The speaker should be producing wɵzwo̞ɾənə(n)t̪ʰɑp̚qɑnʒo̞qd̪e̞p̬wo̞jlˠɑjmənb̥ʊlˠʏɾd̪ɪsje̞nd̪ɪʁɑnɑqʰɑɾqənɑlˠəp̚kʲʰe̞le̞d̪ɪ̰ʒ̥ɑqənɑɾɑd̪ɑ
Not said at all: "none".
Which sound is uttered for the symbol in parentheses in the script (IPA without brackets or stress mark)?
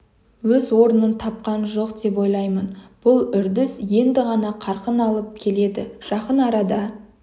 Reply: n